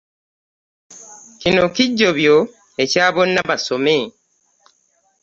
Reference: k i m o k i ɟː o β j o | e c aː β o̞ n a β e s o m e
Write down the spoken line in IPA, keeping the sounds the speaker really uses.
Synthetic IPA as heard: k i n o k i ɟː o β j o | e c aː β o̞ nː a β a s o m e